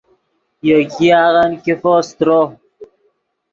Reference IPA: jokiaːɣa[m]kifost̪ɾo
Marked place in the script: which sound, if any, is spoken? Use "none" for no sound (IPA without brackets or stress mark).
n